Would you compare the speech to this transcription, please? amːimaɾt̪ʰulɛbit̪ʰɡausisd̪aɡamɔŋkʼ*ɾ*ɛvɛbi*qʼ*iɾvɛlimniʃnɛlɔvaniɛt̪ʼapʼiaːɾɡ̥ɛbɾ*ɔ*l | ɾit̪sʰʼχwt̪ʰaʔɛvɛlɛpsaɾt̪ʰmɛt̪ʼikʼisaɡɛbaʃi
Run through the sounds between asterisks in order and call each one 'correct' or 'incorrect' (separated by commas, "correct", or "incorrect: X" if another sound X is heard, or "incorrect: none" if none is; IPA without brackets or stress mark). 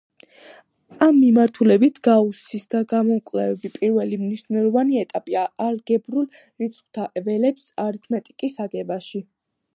incorrect: l, incorrect: pʼ, incorrect: u